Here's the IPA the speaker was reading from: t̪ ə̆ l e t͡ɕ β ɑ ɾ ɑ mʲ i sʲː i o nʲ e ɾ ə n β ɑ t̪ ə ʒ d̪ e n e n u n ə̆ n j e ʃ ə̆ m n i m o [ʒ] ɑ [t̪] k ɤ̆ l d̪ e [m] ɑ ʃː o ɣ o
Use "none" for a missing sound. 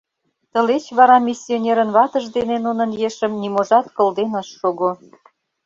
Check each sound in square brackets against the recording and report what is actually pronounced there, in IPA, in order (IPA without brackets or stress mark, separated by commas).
ʒ, t̪, n